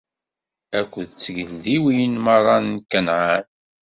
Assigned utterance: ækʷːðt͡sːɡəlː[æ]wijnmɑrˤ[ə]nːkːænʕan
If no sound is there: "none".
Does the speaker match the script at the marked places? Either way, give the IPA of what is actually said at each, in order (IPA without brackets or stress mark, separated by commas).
i, ɑ